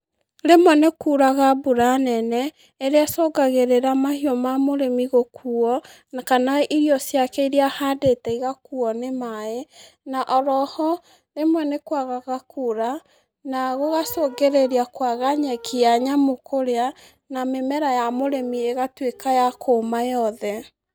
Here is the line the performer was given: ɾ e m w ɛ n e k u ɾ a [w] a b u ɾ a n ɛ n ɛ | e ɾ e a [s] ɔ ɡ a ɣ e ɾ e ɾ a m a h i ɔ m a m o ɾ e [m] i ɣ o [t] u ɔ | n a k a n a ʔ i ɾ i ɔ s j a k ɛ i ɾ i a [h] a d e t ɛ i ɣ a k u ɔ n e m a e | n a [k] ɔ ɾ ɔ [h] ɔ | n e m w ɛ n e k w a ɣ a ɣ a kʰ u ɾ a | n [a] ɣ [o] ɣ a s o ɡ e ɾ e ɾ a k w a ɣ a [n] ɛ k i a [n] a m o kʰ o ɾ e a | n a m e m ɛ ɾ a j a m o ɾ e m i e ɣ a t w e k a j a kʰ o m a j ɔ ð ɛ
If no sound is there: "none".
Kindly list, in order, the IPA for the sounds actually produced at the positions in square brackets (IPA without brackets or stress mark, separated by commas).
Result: ɣ, s, m, k, h, ʔ, h, a, o, ɲ, ɲ